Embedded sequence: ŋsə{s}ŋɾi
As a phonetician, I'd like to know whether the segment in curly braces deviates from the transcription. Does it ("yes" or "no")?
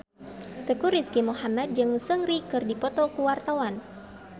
yes